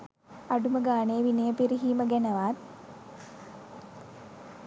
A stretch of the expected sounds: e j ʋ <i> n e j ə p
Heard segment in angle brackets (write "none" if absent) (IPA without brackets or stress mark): i